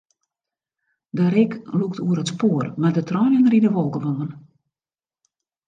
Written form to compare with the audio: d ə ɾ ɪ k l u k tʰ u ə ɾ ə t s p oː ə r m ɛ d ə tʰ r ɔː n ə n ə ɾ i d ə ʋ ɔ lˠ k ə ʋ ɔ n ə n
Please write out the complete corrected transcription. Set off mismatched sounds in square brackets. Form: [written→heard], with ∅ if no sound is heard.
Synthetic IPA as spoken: d ə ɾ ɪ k l u k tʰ u ə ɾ ə t s p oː ə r m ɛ d ə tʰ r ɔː n ə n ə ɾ i d ə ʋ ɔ lˠ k ə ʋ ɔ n ə n